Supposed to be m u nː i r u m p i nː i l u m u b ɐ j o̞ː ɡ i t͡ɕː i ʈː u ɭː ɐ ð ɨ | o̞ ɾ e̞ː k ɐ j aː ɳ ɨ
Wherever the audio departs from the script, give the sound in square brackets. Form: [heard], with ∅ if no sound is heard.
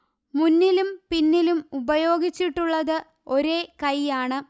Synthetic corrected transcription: m u nː i [l] u m p i nː i l u m u b ɐ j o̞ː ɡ i t͡ɕː i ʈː u ɭː ɐ ð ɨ | o̞ ɾ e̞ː k ɐ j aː ɳ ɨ